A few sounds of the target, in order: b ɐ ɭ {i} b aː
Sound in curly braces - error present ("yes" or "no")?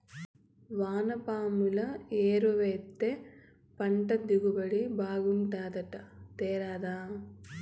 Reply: no